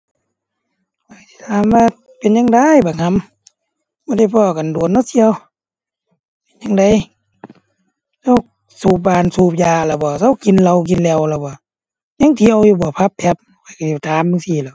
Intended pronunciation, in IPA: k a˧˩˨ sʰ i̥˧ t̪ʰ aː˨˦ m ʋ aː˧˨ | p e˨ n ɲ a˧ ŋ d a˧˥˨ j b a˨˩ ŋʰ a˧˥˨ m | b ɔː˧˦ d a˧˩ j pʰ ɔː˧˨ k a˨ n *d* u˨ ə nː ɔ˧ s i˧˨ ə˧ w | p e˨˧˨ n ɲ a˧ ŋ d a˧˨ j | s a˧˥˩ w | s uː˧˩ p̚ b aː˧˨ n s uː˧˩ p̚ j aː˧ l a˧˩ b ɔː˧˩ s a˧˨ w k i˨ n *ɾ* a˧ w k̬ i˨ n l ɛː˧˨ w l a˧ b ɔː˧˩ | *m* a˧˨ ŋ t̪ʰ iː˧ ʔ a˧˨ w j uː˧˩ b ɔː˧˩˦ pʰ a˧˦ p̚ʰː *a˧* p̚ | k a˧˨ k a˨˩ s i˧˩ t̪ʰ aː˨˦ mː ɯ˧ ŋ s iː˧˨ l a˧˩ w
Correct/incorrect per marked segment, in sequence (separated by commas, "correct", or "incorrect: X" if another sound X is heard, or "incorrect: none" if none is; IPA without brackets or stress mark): correct, incorrect: l, incorrect: ɲ, incorrect: ɛ˧